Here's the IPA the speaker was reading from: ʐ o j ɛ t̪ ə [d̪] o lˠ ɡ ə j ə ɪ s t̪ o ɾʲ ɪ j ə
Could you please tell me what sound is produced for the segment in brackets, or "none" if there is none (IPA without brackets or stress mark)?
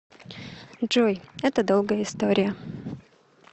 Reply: d̪